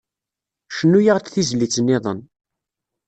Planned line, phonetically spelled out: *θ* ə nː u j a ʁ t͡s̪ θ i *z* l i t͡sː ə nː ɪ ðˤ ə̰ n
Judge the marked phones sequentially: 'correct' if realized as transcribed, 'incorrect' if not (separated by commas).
incorrect, correct